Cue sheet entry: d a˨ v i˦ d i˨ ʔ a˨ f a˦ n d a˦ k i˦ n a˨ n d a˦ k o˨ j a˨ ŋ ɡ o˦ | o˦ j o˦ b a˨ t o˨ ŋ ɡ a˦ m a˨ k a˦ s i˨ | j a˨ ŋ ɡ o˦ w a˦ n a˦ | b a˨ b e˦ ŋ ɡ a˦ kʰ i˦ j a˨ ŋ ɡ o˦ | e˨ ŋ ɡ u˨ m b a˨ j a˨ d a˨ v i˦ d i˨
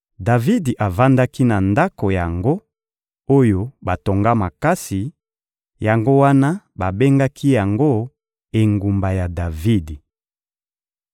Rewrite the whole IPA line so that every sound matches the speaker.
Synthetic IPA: d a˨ v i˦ d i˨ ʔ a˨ v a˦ n d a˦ k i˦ n a˨ n d a˦ k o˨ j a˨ ŋ ɡ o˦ | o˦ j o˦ b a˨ t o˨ ŋ ɡ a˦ m a˨ k a˦ s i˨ | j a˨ ŋ ɡ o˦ w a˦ n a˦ | b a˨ b e˦ ŋ ɡ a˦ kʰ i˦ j a˨ ŋ ɡ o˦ | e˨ ŋ ɡ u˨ m b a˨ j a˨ d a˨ v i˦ d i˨